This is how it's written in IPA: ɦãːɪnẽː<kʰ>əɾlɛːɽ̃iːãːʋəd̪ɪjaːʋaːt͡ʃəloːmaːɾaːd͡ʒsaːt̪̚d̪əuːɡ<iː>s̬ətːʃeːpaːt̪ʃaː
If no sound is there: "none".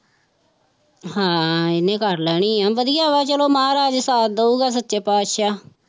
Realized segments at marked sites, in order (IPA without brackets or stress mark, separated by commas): k, aː